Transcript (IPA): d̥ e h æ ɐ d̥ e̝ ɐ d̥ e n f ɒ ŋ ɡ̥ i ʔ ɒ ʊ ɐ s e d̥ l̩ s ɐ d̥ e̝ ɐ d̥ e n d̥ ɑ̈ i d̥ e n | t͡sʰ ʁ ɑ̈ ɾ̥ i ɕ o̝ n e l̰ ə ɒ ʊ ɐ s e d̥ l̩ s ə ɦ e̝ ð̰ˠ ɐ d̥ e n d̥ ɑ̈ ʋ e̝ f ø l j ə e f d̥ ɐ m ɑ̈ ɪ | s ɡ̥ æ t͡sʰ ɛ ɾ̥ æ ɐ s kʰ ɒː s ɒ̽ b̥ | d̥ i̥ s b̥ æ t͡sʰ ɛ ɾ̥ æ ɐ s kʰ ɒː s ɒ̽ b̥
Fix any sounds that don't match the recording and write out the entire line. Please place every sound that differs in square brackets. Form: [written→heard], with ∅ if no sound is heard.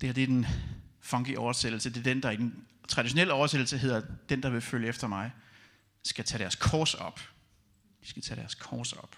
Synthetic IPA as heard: d̥ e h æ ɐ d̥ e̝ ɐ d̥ e n f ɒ ŋ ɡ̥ i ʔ ɒ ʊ ɐ s e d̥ l̩ s [ɐ→ə] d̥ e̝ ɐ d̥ e n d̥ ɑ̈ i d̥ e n | t͡sʰ ʁ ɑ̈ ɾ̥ i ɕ o̝ n e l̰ ə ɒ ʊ ɐ s e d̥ l̩ s ə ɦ e̝ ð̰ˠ ɐ d̥ e n d̥ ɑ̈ ʋ e̝ f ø l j ə e f d̥ ɐ m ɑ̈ ɪ | s ɡ̥ æ t͡sʰ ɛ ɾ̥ æ ɐ s kʰ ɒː s ɒ̽ b̥ | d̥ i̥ s [b̥→ɡ̥] æ t͡sʰ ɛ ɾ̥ æ ɐ s kʰ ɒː s ɒ̽ b̥